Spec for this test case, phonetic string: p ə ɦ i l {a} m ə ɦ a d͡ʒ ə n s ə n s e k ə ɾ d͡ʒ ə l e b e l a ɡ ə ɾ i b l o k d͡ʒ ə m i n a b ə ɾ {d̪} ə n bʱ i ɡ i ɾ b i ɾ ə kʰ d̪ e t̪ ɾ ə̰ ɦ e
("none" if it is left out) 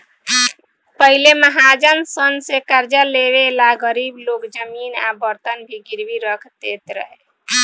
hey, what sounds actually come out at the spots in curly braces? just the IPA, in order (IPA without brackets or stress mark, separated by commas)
e, t̪